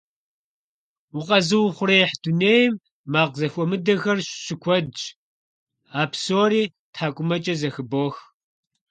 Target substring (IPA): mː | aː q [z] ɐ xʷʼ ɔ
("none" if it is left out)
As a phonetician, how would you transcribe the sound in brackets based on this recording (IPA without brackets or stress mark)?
z